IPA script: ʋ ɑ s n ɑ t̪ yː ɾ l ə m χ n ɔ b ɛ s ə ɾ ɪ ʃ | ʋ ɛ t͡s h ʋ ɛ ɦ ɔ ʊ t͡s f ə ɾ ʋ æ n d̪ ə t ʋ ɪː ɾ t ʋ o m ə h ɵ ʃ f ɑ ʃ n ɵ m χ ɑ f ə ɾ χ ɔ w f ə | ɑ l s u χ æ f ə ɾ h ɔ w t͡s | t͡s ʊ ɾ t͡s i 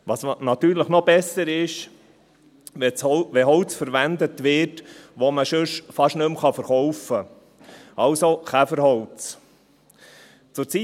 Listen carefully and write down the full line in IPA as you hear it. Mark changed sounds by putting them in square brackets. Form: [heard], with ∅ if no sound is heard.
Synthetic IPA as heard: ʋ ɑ s n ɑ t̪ yː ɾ l ə [∅] χ n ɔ b ɛ s ə ɾ ɪ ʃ | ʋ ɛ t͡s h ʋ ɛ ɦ ɔ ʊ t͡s f ə ɾ ʋ æ n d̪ ə t ʋ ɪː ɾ t ʋ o m ə [ʃ] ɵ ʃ f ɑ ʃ n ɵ m χ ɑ f ə ɾ χ ɔ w f ə | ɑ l s [o] χ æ f ə ɾ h ɔ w t͡s | t͡s ʊ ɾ t͡s i